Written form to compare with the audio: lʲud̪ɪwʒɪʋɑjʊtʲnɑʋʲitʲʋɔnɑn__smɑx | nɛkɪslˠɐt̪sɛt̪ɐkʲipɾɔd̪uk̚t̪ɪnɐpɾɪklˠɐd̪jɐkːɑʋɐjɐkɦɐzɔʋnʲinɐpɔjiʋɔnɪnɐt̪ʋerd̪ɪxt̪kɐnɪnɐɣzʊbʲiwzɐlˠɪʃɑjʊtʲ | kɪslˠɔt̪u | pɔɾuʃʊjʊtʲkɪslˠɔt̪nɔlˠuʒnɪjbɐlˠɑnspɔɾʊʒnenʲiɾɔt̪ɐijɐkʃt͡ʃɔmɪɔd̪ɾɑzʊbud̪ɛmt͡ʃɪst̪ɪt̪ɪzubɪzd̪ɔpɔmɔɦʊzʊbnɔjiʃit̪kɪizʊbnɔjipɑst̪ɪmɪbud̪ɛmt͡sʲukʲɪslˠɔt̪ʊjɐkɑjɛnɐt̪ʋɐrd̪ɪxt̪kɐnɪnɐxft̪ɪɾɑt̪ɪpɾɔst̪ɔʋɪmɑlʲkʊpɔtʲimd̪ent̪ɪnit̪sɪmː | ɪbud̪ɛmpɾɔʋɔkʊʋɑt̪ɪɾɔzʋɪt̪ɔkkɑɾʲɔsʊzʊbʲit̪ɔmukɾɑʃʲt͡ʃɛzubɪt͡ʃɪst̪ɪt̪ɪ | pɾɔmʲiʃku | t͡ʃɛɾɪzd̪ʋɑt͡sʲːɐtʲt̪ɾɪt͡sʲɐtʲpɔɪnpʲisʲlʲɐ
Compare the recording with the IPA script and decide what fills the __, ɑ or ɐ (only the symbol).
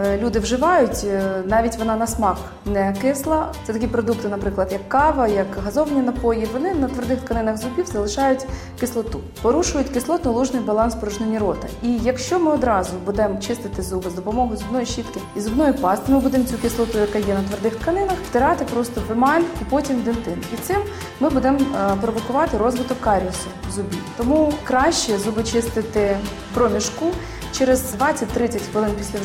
ɐ